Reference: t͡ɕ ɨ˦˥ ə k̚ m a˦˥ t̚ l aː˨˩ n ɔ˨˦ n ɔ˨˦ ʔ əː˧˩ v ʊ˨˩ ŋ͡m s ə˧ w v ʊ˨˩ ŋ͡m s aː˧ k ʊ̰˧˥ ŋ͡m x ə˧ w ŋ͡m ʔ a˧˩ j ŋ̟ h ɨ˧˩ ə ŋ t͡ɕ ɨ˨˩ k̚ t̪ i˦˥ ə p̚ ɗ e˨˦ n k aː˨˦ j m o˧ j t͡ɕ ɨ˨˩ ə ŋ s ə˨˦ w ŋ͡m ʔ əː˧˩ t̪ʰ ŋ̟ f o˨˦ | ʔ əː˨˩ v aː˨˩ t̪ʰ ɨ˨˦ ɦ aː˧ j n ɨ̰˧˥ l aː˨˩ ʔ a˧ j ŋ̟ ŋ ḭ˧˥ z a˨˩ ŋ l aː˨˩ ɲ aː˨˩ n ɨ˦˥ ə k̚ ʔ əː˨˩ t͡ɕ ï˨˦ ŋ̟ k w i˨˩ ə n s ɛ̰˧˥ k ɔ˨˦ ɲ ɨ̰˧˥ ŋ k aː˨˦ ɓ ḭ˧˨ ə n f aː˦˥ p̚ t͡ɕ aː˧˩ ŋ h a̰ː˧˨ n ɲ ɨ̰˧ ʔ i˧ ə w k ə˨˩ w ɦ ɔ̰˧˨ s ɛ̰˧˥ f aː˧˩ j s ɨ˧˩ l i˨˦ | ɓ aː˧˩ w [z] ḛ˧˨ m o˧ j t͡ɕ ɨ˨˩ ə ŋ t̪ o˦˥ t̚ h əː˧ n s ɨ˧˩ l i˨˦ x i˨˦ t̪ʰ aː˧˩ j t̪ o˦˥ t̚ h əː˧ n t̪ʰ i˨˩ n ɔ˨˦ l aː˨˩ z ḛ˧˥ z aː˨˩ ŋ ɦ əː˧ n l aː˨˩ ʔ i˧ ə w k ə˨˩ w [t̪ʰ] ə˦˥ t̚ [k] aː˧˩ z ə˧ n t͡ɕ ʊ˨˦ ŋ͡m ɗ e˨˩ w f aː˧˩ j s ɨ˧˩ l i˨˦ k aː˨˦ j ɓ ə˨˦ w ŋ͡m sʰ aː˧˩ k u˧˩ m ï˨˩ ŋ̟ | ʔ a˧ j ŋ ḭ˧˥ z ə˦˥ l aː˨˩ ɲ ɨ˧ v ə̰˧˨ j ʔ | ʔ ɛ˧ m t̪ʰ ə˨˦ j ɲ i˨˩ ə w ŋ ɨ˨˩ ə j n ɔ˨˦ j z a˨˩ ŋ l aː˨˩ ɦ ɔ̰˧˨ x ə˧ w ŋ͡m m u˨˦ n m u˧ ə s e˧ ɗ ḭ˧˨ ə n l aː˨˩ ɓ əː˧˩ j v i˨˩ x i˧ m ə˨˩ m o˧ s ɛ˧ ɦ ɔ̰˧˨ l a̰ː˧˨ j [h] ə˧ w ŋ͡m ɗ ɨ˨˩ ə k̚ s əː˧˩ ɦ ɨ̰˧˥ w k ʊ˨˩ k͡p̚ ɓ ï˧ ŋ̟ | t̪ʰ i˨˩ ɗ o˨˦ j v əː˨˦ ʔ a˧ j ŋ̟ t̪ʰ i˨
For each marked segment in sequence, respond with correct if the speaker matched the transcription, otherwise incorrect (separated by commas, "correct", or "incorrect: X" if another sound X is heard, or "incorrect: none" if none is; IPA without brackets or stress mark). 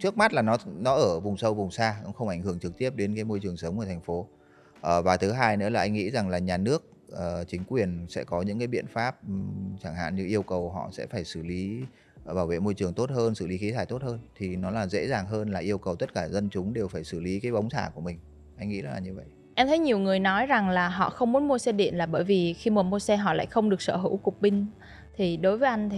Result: incorrect: v, incorrect: t̪, correct, incorrect: x